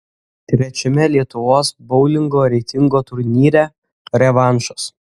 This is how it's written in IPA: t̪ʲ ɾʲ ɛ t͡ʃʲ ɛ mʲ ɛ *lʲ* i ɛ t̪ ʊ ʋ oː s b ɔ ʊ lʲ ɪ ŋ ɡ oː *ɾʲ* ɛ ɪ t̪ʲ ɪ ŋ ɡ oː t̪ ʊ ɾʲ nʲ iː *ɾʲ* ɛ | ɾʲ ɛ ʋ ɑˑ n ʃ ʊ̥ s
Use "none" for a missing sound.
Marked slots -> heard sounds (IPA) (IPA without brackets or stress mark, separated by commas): lʲ, ɾʲ, ɾʲ